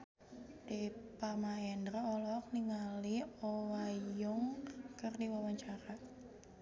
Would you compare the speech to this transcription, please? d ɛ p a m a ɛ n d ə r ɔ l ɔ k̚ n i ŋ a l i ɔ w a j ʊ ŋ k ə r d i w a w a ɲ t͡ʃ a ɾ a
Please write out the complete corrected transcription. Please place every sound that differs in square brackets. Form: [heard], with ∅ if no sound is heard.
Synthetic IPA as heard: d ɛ p a m a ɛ n d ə r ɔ l ɔ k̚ n i ŋ a l i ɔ w a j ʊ ŋ k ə r d i w a w a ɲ t͡ʃ a ɾ a